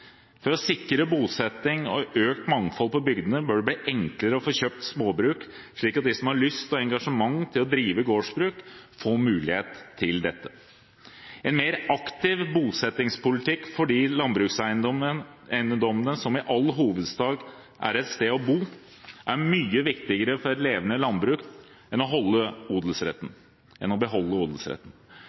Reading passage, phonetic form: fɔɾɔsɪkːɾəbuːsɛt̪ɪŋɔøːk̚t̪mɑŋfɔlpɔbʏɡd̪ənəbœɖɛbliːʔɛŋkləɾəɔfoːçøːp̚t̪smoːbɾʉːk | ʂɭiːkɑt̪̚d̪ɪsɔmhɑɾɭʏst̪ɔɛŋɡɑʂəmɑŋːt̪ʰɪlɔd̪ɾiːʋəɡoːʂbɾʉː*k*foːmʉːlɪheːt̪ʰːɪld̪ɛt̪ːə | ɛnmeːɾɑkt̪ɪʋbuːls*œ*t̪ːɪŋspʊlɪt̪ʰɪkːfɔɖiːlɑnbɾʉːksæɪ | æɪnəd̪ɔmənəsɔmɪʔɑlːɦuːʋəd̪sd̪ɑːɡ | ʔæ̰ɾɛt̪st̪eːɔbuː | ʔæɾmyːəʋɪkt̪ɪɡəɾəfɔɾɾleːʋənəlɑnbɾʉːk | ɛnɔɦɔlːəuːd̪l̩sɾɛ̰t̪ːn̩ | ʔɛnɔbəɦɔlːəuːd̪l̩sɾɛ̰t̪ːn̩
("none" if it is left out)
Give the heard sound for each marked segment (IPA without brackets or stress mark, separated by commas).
k, ɛ